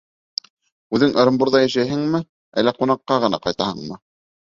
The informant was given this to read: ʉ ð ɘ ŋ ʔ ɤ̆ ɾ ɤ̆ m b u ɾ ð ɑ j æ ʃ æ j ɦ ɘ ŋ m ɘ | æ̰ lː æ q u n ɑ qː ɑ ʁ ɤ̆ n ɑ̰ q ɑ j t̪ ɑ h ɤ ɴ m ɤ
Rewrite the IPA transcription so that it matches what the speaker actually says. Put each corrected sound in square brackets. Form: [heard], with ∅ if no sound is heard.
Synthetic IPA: ʉ ð ɘ ŋ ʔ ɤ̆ ɾ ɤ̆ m b u ɾ ð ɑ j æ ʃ æ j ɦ ɘ ŋ m ɘ | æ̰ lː æ q u n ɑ qː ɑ ʁ ɤ̆ n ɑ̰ q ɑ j t̪ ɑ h ɤ ɴ m ɤ

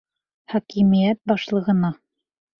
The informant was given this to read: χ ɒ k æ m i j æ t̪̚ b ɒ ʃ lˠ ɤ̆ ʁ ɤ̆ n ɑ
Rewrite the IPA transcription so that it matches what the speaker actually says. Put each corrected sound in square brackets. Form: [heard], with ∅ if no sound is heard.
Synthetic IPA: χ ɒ k [i] m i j æ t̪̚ b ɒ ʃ lˠ ɤ̆ ʁ ɤ̆ n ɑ

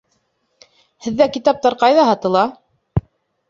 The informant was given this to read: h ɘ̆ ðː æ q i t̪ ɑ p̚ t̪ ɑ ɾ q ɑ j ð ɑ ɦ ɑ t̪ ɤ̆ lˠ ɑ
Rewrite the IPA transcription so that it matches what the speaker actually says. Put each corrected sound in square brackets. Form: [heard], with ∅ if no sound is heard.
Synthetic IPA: h ɘ̆ ðː æ [k] i t̪ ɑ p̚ t̪ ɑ ɾ q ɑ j ð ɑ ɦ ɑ t̪ ɤ̆ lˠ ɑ

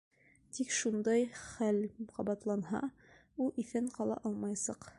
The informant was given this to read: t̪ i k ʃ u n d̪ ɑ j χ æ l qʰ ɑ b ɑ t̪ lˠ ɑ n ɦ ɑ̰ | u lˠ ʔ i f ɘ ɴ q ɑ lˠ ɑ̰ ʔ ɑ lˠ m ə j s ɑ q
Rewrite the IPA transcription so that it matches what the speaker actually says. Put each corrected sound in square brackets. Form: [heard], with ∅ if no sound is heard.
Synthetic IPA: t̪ i k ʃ u n d̪ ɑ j χ æ l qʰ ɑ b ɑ t̪ lˠ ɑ n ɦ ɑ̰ | u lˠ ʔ i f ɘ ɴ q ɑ lˠ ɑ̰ ʔ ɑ lˠ m [ɑ] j s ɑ q

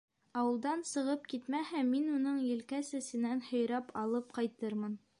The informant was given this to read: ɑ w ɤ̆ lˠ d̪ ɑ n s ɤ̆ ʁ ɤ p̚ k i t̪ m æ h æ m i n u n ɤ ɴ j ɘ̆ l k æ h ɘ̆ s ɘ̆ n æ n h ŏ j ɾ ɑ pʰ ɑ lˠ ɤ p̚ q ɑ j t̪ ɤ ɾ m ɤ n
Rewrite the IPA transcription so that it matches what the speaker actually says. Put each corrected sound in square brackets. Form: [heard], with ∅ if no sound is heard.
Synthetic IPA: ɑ w ɤ̆ lˠ d̪ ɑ n s ɤ̆ ʁ ɤ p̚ k i t̪ m æ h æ m i n u n ɤ ɴ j ɘ̆ l k æ [s] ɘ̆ s ɘ̆ n æ n h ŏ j ɾ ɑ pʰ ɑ lˠ ɤ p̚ q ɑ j t̪ ɤ ɾ m ɤ n

